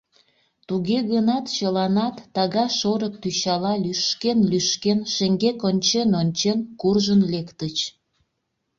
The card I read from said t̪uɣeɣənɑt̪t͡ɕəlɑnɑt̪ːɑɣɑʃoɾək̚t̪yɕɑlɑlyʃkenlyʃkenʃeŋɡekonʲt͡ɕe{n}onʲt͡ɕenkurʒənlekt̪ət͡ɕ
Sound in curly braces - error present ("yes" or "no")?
no